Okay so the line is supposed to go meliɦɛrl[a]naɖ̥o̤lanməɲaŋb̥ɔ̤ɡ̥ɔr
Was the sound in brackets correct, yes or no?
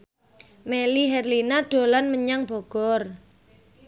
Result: no